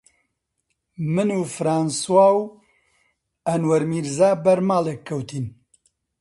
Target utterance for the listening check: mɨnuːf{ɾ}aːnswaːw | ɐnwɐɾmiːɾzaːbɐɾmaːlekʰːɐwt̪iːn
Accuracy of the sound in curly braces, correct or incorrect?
correct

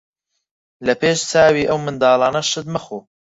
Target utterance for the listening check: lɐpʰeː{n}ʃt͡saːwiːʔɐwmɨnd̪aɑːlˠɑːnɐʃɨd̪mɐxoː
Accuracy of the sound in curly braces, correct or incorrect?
incorrect: none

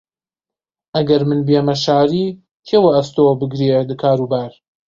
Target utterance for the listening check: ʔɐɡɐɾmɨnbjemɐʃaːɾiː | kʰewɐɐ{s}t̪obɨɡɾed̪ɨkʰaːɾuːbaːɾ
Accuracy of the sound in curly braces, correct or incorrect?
correct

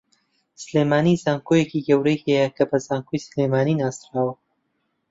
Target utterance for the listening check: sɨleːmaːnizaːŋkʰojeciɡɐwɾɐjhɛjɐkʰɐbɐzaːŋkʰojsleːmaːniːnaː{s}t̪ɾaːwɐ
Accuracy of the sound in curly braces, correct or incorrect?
correct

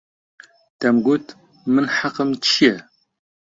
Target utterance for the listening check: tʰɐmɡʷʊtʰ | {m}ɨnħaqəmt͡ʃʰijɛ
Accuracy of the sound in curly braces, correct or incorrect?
correct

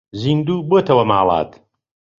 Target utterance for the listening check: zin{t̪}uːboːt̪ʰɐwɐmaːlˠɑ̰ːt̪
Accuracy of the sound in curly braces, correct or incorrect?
incorrect: d̪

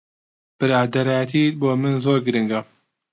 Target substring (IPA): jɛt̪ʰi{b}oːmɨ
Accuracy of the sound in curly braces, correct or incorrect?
correct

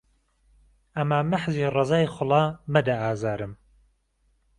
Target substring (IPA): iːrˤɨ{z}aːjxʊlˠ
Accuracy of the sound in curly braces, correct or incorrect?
correct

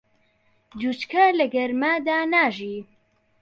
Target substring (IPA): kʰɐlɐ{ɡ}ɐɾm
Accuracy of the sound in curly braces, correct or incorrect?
correct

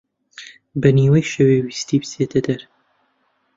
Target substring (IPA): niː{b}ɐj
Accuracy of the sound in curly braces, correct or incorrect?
incorrect: w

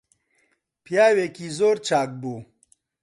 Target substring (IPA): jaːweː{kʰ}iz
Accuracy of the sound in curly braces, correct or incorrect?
incorrect: k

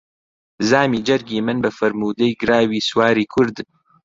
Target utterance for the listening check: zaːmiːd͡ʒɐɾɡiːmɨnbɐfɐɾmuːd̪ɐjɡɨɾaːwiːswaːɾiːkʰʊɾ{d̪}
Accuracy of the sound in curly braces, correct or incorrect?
correct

